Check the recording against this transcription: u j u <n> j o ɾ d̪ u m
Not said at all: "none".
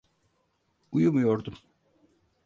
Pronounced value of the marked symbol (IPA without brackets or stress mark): m